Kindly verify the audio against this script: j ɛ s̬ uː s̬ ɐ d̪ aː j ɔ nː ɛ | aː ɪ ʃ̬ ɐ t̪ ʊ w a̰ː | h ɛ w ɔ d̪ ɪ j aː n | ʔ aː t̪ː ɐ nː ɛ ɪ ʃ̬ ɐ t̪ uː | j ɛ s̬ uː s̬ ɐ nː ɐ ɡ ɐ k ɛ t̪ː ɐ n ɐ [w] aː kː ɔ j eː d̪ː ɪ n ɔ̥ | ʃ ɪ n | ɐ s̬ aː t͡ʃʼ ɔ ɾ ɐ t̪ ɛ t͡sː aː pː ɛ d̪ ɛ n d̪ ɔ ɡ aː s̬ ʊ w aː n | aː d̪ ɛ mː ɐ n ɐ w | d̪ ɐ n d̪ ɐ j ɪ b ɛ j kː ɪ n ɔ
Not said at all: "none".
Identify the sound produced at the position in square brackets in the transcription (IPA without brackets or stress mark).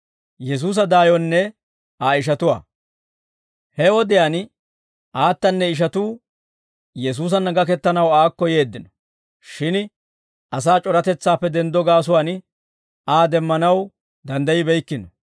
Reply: w